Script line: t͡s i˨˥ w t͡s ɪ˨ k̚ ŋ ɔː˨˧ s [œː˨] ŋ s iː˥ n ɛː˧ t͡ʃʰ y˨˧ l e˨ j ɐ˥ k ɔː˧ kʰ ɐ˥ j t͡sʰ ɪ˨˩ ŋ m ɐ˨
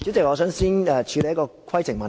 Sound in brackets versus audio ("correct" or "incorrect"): incorrect